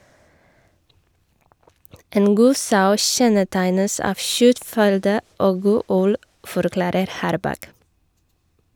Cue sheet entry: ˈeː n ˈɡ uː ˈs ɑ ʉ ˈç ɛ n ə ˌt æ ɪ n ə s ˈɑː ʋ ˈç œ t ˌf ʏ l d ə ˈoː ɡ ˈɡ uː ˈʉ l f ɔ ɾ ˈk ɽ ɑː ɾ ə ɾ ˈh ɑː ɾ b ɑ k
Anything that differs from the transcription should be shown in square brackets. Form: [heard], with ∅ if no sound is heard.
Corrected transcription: ˈeː n ˈɡ uː ˈs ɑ ʉ ˈç ɛ n ə ˌt æ ɪ n ə s ˈɑː ʋ ˈç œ t ˌf ʏ l d ə ˈoː ɡ ˈɡ uː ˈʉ l f ɔ ɾ ˈk [l] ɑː ɾ ə ɾ ˈh ɑː ɾ b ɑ k